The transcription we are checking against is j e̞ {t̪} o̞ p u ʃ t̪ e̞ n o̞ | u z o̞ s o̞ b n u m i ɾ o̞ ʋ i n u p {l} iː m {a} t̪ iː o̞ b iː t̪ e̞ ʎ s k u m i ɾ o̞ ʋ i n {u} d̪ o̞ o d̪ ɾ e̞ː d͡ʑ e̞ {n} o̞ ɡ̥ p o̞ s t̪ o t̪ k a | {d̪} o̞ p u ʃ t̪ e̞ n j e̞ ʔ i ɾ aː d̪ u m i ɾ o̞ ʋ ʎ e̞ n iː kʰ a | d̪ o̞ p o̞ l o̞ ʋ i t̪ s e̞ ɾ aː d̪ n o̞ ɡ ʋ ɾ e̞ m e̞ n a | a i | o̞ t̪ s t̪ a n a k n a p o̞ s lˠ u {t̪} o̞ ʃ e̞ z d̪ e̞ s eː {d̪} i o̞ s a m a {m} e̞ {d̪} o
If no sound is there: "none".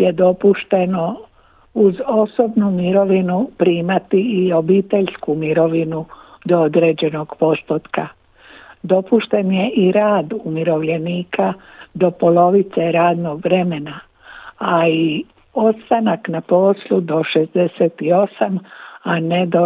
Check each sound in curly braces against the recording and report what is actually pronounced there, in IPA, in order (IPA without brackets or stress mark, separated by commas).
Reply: d̪, ɾ, a, u, n, d̪, d̪, t̪, n, d̪